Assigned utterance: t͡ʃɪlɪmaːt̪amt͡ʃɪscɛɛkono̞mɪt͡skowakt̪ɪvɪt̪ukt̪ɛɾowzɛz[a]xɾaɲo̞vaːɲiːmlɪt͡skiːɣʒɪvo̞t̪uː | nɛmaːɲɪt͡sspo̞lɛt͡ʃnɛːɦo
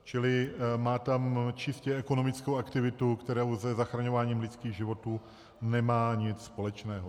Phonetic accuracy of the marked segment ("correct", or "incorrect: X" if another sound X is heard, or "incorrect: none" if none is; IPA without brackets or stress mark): correct